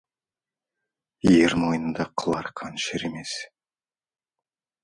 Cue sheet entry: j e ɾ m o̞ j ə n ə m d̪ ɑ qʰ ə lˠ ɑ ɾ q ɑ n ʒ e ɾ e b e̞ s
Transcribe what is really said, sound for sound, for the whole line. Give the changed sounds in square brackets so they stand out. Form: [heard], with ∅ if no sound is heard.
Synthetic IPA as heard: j e ɾ m o̞ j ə n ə [n] d̪ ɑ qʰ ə lˠ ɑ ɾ [qʰ] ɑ n [ʃ] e ɾ e [m] e̞ s